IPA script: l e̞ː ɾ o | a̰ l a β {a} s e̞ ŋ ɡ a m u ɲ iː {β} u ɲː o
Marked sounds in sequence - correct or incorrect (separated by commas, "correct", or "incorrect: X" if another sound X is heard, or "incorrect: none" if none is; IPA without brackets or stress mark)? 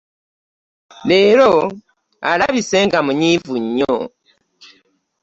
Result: incorrect: i, incorrect: v